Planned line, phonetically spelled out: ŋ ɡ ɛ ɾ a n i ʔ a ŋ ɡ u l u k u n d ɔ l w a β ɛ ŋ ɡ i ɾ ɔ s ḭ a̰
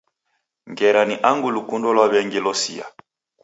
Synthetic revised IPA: ŋ ɡ ɛ ɾ a n i ʔ a ŋ ɡ u l u k u n d ɔ l w a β ɛ ŋ ɡ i l ɔ s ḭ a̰